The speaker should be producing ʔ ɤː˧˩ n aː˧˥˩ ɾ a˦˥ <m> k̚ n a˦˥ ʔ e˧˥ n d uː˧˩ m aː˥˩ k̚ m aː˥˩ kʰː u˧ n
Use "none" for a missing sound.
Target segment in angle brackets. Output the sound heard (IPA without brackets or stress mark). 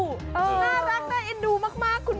none